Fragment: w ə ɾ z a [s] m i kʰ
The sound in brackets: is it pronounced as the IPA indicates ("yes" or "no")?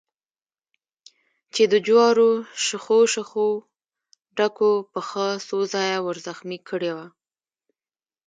no